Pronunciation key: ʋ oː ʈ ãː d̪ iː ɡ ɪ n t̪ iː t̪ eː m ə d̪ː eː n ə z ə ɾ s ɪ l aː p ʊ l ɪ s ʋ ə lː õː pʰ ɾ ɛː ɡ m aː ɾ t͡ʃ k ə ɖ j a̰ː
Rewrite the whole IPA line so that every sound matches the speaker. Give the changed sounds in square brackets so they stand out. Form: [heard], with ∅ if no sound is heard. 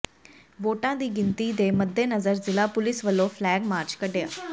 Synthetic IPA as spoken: ʋ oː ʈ ãː d̪ iː ɡ ɪ n t̪ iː [d̪] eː m ə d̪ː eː n ə z ə ɾ [z] ɪ l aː p ʊ l ɪ s ʋ ə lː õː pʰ [l] ɛː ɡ m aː ɾ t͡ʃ k ə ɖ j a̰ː